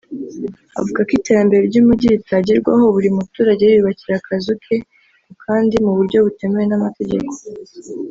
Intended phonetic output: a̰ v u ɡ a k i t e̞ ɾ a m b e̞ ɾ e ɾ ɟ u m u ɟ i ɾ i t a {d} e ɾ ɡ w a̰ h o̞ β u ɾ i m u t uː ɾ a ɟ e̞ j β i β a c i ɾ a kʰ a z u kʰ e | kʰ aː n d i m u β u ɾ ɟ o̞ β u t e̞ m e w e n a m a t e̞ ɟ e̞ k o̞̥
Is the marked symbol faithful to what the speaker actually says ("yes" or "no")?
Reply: no